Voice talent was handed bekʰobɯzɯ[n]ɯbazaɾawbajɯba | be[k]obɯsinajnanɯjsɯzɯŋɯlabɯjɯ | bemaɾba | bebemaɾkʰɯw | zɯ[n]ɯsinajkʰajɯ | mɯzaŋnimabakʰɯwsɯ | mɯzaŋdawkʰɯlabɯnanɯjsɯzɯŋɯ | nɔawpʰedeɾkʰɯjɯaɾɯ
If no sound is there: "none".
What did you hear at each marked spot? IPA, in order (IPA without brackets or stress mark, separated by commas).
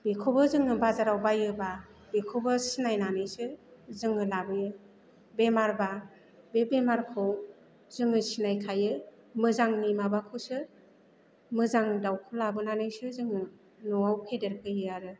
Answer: ŋ, kʰ, ŋ